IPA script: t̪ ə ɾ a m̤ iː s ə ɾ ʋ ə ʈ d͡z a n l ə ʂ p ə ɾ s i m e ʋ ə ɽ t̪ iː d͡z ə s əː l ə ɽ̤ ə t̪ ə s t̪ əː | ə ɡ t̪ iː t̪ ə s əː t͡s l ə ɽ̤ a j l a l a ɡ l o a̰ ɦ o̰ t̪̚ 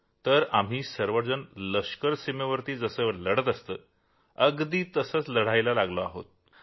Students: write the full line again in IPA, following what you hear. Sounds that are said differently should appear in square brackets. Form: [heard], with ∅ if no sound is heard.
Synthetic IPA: t̪ ə ɾ a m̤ iː s ə ɾ ʋ ə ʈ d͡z [ə] n l ə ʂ [k] ə ɾ s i m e ʋ ə [ɾ] t̪ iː d͡z ə s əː l ə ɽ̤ ə t̪ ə s t̪ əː | ə ɡ [d̪] iː t̪ ə s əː t͡s l ə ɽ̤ a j l a l a ɡ l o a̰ ɦ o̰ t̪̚